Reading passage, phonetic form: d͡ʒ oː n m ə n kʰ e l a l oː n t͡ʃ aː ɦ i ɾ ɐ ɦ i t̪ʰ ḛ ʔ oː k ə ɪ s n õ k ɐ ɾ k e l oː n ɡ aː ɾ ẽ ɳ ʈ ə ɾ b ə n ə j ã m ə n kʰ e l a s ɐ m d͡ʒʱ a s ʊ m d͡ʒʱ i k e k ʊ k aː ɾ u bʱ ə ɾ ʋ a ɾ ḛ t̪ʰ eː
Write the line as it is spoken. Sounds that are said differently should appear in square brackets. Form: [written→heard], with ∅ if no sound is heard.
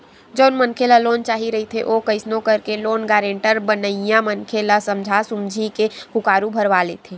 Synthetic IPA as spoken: d͡ʒ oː n m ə n kʰ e l a l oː n t͡ʃ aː ɦ i ɾ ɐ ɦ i t̪ʰ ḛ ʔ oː k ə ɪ s n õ k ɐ ɾ k e l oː n ɡ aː ɾ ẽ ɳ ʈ ə ɾ b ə n ə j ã m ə n kʰ e l a s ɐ m d͡ʒʱ a s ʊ m d͡ʒʱ i k e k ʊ k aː ɾ u bʱ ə ɾ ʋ a [ɾ→l] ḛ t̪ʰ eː